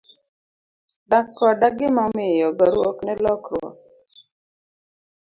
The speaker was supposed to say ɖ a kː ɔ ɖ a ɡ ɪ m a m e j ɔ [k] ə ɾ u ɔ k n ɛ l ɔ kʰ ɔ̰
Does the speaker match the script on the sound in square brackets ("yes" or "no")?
no